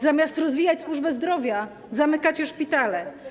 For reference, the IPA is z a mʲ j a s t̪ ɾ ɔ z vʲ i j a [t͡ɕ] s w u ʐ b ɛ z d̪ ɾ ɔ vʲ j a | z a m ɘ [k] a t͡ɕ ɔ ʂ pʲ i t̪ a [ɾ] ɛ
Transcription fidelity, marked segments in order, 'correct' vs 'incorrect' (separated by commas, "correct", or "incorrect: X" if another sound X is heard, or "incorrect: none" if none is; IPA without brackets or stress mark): correct, correct, incorrect: l